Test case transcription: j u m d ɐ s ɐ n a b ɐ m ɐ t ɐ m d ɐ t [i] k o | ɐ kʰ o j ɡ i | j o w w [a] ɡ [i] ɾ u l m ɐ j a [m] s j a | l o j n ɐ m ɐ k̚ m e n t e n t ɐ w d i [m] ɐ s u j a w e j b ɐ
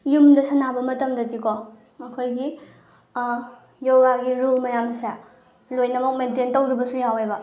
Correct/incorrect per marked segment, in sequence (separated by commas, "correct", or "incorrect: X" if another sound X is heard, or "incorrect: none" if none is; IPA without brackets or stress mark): correct, correct, correct, correct, incorrect: b